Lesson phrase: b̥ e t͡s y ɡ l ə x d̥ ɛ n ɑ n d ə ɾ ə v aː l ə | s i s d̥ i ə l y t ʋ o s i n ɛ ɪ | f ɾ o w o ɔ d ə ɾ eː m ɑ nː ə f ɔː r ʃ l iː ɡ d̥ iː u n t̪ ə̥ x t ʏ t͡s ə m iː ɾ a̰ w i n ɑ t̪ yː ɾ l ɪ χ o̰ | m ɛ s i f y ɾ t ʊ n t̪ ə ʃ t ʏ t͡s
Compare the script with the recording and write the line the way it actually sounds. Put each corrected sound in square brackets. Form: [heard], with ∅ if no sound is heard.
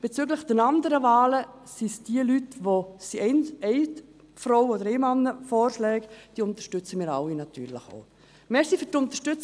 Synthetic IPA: b̥ e t͡s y ɡ l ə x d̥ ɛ n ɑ n d ə ɾ ə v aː l ə | s i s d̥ i ə l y t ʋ o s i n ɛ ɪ | f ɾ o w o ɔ d ə ɾ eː m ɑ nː ə f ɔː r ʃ l [ɛː] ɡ d̥ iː [ʊ] n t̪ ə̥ [ʃ] t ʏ t͡s ə m iː ɾ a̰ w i n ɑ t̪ yː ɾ l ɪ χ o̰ | m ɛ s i f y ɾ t ʊ n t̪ ə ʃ t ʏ t͡s

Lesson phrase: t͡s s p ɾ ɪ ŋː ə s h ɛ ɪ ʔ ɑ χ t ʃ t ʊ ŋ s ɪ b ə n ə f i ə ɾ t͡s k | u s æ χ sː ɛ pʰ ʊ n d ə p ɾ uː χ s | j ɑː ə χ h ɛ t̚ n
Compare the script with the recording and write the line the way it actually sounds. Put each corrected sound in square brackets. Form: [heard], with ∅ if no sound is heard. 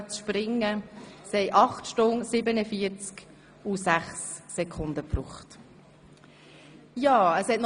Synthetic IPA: t͡s [ʃ] p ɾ ɪ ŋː ə s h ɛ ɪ ʔ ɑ χ t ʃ t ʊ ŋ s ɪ b ə n ə f i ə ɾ t͡s k | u s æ χ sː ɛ [kʰ] ʊ n d ə p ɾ uː χ [t] | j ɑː ə [s] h ɛ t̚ n

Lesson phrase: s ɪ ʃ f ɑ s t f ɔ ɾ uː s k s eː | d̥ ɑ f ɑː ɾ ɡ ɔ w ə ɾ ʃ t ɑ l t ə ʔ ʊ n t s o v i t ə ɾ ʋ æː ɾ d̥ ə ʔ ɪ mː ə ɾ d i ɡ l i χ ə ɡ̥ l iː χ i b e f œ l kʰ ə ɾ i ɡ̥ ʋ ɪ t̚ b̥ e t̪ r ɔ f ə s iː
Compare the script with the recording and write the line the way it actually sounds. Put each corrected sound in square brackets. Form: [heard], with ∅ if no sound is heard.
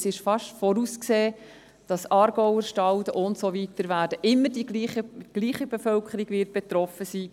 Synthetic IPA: s ɪ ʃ f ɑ [ʃ] t f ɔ ɾ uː s k s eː | d̥ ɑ [s] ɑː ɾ ɡ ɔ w ə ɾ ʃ t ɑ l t ə ʔ ʊ n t s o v i t ə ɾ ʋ æː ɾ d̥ ə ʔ ɪ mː ə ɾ d i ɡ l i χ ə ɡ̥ l iː χ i b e f œ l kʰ ə ɾ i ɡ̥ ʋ ɪ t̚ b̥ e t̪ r ɔ f ə s iː

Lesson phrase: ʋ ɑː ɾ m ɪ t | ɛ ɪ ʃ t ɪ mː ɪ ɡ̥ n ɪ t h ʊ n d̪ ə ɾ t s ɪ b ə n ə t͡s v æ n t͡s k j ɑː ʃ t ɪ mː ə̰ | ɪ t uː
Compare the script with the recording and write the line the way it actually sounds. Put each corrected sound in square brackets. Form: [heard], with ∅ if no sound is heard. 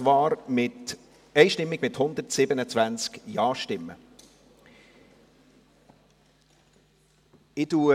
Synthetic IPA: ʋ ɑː ɾ m ɪ t | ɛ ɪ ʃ t ɪ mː ɪ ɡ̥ [m] ɪ t h ʊ n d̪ ə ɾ t s ɪ b ə n ə t͡s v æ n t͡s k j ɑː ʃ t ɪ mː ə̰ | ɪ t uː

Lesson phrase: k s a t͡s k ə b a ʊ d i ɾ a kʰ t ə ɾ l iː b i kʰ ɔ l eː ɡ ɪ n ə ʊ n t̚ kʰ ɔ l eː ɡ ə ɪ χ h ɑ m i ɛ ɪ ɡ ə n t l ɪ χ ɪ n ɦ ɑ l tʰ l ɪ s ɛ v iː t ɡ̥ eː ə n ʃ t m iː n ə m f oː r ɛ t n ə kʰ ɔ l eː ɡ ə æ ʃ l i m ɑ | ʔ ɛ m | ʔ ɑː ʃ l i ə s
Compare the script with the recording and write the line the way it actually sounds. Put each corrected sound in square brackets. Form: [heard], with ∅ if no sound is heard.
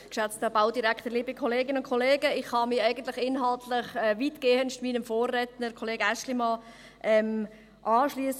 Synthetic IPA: k [ʃ] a t͡s [t] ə b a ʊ d i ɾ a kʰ t ə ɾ l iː b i kʰ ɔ l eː ɡ ɪ n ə ʊ n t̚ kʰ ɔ l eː ɡ ə ɪ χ h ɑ m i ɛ ɪ ɡ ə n t l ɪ χ ɪ n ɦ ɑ l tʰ l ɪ [χ] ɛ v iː t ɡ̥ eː ə n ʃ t m iː n ə m f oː r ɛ t n ə kʰ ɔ l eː ɡ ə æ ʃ l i m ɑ | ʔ ɛ m | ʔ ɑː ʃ l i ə s

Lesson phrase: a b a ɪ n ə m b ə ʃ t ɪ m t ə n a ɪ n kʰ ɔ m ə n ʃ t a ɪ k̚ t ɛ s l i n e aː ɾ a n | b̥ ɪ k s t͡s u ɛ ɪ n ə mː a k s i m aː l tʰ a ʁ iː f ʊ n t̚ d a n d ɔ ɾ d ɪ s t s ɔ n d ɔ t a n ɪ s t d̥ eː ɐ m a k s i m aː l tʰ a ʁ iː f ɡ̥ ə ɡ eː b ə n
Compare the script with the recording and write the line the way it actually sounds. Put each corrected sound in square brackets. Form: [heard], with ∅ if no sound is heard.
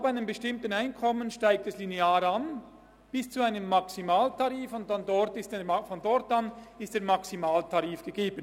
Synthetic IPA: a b a ɪ n ə m b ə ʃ t ɪ m t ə n a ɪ n kʰ ɔ m ə n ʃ t a ɪ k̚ t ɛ s l i n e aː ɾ a n | b̥ ɪ [∅] s t͡s u [a] ɪ n ə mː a k s i m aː l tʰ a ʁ iː f ʊ n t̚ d a n d ɔ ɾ [t] ɪ s t [f] ɔ n d ɔ t a n ɪ s t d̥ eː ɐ m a k s i m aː l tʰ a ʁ iː f ɡ̥ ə ɡ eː b ə n

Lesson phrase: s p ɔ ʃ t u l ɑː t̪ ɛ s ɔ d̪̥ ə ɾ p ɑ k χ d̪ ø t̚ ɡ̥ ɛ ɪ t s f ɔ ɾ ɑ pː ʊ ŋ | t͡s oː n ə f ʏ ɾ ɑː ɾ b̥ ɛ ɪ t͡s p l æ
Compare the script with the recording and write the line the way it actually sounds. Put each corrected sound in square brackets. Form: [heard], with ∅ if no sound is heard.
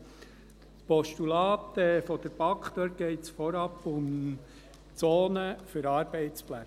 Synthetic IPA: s p ɔ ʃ t u l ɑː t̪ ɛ [f] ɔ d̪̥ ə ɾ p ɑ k χ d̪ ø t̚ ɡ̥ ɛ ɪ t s f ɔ ɾ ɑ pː ʊ [m] | t͡s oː n ə f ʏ ɾ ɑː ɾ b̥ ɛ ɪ t͡s p l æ

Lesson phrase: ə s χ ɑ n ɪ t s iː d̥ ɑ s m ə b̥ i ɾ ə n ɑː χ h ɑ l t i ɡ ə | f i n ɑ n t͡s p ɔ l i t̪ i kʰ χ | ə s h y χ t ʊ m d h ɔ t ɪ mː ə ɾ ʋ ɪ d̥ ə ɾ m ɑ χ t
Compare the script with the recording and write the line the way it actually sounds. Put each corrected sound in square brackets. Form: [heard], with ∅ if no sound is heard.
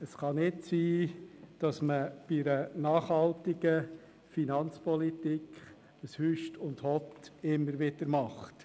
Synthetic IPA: ə s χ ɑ n ɪ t s iː d̥ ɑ s m ə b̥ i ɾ ə n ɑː χ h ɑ l t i ɡ ə | f i n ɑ n t͡s p ɔ l i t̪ i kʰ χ | ə s h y [ʃ] t ʊ [n] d h ɔ t ɪ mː ə ɾ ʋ ɪ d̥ ə ɾ m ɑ χ t

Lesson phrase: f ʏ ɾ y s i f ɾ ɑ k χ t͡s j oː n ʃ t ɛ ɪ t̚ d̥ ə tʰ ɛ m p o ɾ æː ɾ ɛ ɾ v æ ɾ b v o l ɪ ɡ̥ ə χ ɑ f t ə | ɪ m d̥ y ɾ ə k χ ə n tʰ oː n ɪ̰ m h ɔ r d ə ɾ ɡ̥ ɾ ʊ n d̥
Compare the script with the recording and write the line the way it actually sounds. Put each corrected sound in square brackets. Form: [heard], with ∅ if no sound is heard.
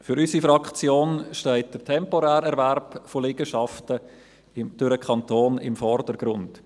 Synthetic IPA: f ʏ ɾ y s i f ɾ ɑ k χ t͡s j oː n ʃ t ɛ ɪ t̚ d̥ ə tʰ ɛ m p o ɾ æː ɾ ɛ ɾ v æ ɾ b [f] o l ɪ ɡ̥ ə [ʃ] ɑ f t ə | ɪ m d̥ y ɾ ə k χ [ɑ] n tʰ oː n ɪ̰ m [f] ɔ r d ə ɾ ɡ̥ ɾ ʊ n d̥

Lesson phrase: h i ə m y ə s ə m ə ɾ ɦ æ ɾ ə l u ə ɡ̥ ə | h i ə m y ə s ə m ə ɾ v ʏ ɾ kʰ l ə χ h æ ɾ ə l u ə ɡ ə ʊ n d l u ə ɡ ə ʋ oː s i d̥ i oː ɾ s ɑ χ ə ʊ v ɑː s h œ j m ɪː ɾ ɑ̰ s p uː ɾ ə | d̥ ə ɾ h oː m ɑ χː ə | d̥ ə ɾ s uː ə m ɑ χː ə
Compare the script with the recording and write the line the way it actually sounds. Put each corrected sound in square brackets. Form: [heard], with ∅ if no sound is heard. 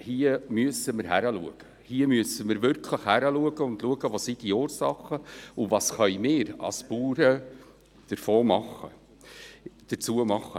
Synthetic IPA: h i ə m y ə s ə m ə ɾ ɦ æ ɾ ə l u ə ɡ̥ ə | h i ə m y ə s ə m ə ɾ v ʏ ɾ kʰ l ə χ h æ ɾ ə l u ə ɡ ə ʊ n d l u ə ɡ ə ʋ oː s i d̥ i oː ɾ s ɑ χ ə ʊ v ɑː s [χ] œ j m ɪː ɾ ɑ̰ s p uː ɾ ə | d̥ ə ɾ [f] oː m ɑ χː ə | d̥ ə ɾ [t͡s] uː ə m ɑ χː ə

